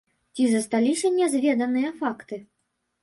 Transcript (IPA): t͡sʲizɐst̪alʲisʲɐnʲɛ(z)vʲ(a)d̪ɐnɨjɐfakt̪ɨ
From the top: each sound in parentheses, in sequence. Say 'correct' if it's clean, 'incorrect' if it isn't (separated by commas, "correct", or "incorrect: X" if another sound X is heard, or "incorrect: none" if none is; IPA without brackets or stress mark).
correct, incorrect: ɛ